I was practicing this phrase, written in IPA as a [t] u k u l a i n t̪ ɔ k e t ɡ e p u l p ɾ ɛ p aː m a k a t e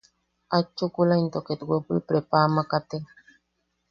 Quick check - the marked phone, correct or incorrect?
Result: incorrect